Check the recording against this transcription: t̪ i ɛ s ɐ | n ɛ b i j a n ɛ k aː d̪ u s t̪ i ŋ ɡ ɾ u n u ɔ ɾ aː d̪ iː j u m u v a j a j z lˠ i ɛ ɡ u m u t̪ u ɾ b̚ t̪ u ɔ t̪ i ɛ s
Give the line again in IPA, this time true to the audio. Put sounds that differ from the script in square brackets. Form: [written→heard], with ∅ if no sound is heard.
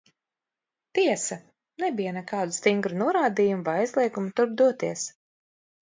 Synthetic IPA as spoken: t̪ i ɛ s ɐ | n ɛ b i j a n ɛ k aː d̪ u s t̪ i ŋ ɡ ɾ u n u ɔ ɾ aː d̪ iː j u m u v a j a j z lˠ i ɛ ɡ u m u t̪ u ɾ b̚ [t̪→d̪] u ɔ t̪ i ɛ s

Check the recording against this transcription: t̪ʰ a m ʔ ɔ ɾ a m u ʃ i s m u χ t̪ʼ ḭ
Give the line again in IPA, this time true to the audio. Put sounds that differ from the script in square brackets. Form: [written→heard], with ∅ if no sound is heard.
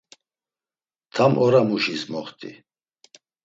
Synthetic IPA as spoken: t̪ʰ a m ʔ ɔ ɾ a m u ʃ i s m [u→ɔ] χ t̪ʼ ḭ

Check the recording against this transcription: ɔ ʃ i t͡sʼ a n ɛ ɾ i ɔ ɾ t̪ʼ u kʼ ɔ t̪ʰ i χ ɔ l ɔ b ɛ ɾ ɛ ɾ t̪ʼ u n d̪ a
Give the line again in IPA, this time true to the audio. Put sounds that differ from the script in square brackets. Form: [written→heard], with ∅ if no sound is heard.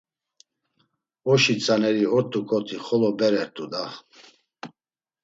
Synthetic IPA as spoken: ɔ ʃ i t͡sʼ a n ɛ ɾ i ɔ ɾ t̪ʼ u kʼ ɔ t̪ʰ i χ ɔ l ɔ b ɛ ɾ ɛ ɾ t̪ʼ u [n→∅] d̪ a

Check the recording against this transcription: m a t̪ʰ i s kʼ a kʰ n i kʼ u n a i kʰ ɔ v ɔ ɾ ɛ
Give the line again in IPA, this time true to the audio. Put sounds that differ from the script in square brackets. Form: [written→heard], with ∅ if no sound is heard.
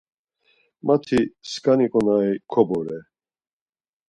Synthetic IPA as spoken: m a t̪ʰ i s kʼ a [kʰ→∅] n i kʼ [u→ɔ] n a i kʰ ɔ [v→b] ɔ ɾ ɛ

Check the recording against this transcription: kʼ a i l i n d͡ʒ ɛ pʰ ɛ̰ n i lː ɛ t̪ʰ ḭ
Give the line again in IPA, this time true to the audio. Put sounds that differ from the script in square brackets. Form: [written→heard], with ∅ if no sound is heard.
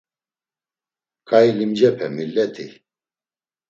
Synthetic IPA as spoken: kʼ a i l i [n→m] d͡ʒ ɛ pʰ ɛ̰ [n→m] i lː ɛ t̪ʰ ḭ

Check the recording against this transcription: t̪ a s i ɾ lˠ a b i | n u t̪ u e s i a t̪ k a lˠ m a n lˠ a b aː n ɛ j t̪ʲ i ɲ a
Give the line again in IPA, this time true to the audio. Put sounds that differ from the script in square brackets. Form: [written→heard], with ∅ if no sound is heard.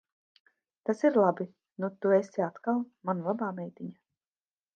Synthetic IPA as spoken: t̪ a s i ɾ lˠ a b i | n u t̪ u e s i a t̪ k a lˠ m a n lˠ a b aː [n→m] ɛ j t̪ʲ i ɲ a

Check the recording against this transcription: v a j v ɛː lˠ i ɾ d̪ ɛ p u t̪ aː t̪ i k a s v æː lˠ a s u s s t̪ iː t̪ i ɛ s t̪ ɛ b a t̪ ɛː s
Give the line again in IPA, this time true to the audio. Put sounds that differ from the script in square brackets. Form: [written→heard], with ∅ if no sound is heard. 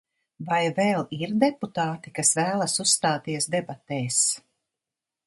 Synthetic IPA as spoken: v a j v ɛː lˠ i ɾ d̪ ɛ p u t̪ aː t̪ i k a s v æː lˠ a s u s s t̪ [iː→aː] t̪ i ɛ s [t̪→d̪] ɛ b a t̪ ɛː s

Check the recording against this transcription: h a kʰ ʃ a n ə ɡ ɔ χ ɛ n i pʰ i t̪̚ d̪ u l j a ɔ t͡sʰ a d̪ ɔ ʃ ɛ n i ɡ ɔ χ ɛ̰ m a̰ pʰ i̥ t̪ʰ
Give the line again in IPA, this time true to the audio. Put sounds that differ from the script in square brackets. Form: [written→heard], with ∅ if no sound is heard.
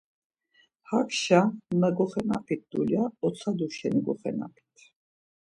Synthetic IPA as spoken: h a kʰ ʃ a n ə ɡ ɔ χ ɛ n [i→a] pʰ i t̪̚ d̪ u l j a ɔ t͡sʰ a d̪ [ɔ→u] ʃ ɛ n i ɡ ɔ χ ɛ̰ [m→n] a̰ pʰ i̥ t̪ʰ

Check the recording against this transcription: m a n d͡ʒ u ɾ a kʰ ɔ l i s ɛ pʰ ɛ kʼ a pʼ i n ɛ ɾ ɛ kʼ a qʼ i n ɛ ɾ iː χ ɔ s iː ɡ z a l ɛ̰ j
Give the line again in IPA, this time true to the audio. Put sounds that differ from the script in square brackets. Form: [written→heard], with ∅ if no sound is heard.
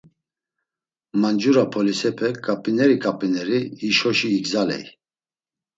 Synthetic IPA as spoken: m a n d͡ʒ u ɾ a [kʰ→pʰ] ɔ l i s ɛ pʰ ɛ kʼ a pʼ i n ɛ ɾ [ɛ→i] kʼ a [qʼ→pʼ] i n ɛ ɾ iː [χ→ʃ] ɔ [s→ʃ] iː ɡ z a l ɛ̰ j

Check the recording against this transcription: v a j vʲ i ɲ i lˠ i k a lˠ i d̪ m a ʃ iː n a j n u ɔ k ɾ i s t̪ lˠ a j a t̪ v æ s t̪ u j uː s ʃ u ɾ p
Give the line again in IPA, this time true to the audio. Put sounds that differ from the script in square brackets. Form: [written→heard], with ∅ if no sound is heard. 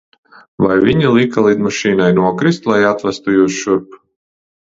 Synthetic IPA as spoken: v a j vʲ i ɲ i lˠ i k a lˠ i d̪ m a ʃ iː n a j n u ɔ k ɾ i s t̪ lˠ a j a t̪ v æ s t̪ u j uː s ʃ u ɾ p

